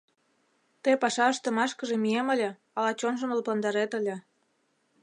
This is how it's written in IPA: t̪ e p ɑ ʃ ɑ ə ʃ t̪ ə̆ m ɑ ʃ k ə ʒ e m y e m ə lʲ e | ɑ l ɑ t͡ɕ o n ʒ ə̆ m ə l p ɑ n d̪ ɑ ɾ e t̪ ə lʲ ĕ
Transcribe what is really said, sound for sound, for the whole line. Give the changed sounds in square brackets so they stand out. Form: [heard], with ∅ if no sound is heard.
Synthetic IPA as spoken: t̪ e p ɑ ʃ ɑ ə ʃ t̪ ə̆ m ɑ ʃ k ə ʒ e m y e m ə lʲ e | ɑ l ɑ t͡ɕ o n ʒ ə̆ m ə l p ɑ n d̪ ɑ ɾ e t̪ ə lʲ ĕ